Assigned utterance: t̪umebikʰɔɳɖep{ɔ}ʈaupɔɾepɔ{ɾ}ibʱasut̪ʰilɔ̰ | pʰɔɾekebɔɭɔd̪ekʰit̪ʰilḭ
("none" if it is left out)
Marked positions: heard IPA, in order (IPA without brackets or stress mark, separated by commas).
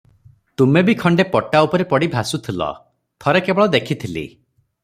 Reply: ɔ, ɽ